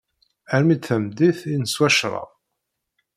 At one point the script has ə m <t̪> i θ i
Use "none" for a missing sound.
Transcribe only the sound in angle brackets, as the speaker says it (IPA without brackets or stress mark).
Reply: d̪